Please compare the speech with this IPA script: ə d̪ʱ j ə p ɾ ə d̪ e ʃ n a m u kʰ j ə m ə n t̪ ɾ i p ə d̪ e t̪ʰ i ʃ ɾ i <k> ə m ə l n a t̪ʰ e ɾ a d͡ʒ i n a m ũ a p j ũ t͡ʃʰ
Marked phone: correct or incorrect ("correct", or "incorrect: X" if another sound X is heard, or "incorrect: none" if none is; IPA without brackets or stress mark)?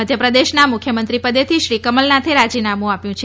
correct